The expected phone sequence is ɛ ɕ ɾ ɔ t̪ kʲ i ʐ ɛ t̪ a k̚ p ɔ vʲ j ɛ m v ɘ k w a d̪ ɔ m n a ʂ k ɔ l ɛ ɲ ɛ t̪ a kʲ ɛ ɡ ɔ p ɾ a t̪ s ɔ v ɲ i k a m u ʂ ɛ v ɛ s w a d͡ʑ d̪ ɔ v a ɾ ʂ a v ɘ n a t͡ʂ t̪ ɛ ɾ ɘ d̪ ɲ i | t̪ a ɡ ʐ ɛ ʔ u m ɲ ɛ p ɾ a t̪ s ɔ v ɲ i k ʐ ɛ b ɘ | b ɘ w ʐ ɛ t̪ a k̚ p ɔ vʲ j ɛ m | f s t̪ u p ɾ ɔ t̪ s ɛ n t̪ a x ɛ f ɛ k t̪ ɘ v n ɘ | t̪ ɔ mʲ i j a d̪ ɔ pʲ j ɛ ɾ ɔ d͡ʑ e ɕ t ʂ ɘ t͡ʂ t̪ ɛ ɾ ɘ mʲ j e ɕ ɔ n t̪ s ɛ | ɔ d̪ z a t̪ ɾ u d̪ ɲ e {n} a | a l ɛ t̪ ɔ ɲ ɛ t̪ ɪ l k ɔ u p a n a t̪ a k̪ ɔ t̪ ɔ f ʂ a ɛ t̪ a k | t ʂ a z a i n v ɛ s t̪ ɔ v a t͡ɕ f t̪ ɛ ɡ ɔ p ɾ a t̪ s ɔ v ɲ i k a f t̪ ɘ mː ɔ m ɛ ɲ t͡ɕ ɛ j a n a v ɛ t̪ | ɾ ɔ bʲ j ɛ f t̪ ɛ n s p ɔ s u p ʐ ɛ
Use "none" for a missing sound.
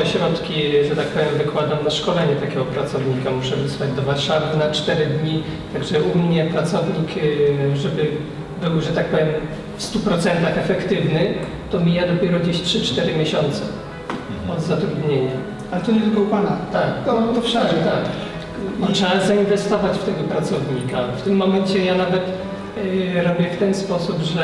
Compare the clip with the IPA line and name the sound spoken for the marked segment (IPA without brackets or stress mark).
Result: ɲ